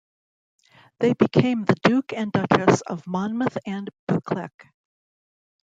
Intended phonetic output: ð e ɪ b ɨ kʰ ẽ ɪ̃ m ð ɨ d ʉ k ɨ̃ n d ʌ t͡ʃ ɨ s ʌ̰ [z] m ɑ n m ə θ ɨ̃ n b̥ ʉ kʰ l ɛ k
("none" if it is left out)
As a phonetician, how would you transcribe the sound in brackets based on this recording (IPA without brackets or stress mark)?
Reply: v